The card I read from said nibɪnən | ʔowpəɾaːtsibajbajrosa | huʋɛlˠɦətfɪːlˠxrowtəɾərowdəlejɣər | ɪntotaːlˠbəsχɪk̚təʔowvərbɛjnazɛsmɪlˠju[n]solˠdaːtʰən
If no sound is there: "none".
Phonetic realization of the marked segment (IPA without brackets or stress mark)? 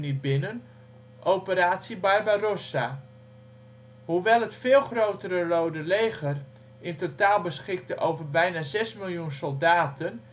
n